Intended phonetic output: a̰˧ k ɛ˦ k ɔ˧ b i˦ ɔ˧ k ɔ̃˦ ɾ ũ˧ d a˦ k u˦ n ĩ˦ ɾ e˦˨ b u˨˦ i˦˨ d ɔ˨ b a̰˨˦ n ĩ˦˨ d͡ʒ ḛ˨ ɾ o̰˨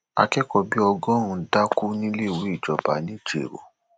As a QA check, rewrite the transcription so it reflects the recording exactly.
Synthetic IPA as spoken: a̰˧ k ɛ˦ k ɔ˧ b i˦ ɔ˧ ɡ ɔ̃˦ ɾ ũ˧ d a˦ k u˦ n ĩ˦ l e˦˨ w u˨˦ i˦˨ d͡ʒ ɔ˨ b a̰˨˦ n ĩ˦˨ d͡ʒ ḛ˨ ɾ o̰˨